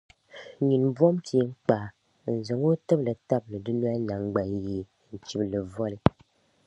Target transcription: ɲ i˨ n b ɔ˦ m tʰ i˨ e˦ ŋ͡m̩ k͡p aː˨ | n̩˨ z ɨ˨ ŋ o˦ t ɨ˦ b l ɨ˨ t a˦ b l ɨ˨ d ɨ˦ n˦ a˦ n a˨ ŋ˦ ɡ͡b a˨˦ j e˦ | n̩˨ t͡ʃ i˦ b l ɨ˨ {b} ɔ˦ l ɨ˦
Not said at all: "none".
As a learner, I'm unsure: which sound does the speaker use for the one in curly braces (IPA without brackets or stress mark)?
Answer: v